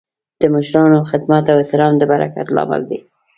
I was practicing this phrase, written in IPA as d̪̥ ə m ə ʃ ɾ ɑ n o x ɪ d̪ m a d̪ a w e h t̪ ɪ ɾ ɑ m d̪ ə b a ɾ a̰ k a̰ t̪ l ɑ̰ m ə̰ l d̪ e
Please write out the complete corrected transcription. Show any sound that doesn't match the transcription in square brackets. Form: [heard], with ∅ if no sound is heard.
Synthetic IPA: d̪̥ ə m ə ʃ ɾ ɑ n o x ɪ d̪ m a [t̪] a w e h t̪ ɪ ɾ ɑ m d̪ ə b a ɾ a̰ k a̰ t̪ l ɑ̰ m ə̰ l d̪ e